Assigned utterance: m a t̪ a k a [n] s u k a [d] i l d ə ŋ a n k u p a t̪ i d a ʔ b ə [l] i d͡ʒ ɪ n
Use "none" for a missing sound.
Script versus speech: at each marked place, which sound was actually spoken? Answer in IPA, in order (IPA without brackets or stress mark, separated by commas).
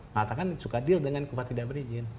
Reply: n, d, ɾ